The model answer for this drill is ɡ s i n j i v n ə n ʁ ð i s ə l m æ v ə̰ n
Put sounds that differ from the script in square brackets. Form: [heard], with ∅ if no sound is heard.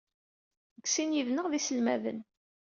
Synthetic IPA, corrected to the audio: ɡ s i n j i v n ə [∅] ʁ ð i s ə l m æ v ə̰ n